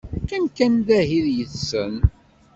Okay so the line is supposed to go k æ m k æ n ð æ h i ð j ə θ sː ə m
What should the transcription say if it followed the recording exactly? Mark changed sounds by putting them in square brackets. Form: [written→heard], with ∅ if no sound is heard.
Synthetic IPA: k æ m k æ n ð æ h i ð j ə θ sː ə [m→n]